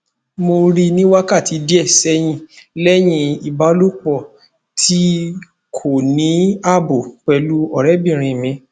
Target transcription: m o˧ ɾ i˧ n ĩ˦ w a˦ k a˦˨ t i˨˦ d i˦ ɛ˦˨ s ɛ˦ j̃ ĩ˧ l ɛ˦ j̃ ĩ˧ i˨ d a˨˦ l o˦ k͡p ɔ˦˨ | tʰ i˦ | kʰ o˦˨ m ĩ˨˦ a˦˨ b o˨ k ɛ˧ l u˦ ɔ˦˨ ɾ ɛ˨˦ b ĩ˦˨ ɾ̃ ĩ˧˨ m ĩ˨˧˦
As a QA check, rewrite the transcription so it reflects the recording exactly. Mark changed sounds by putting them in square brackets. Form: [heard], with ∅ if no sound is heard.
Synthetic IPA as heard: m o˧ ɾ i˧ n ĩ˦ w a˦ k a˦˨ t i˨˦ d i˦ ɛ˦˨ s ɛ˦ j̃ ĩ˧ l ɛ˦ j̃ ĩ˧ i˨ [b] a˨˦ l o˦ k͡p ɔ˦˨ | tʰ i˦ | kʰ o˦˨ [n] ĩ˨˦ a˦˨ b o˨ [k͡p] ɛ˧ l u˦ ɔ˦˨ ɾ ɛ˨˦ b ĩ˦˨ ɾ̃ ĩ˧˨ m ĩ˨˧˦